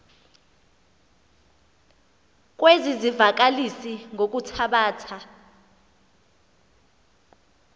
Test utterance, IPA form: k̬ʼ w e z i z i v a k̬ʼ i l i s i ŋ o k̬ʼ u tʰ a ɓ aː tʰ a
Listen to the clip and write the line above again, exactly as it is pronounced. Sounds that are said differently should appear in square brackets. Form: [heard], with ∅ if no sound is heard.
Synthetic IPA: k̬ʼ w e z i z i v a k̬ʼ [a] l i s i ŋ o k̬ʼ u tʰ a ɓ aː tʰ a